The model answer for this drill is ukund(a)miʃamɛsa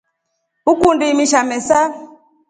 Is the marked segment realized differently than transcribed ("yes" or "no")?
yes